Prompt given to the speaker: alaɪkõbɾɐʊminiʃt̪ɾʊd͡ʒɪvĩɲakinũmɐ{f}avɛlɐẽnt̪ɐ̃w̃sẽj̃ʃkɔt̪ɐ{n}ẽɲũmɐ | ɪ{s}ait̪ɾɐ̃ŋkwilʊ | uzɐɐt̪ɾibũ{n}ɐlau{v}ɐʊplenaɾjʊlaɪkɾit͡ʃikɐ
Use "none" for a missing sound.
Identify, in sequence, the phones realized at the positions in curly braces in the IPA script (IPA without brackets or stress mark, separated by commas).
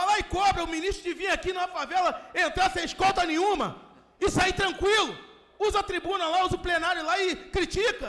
f, n, s, n, z